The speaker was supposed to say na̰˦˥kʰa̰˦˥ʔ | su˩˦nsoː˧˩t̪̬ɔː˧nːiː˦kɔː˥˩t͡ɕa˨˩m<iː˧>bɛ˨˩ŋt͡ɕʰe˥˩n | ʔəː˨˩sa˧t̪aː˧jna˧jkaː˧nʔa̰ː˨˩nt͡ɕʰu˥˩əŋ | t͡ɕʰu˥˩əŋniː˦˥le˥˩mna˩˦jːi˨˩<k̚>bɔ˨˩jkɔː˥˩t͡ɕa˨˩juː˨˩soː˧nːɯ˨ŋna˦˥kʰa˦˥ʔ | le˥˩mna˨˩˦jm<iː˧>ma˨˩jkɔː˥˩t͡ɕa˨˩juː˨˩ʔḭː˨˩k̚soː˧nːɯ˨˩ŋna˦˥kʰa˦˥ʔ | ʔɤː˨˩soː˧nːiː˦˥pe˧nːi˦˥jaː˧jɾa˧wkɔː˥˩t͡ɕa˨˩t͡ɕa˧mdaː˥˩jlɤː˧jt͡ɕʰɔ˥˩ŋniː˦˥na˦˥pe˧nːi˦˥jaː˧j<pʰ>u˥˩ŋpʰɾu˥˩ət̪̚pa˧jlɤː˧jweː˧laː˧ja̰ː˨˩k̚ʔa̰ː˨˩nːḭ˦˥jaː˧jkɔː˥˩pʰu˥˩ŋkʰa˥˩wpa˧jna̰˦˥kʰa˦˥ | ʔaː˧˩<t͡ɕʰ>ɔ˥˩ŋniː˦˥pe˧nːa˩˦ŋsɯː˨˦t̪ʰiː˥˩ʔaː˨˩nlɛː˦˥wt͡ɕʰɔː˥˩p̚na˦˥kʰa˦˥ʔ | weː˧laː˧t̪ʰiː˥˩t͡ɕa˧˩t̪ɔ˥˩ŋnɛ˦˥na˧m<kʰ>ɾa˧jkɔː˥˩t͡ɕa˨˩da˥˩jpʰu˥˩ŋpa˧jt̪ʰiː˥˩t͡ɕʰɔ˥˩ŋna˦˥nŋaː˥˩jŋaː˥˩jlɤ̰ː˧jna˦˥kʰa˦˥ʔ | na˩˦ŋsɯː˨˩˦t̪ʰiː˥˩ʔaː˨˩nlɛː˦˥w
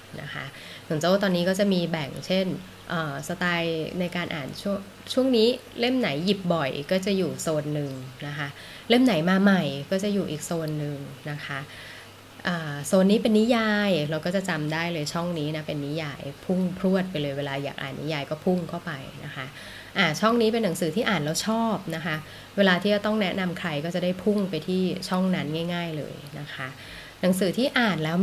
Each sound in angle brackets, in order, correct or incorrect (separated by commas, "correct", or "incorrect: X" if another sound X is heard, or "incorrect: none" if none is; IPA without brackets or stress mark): correct, incorrect: p̚, incorrect: aː˧, correct, correct, correct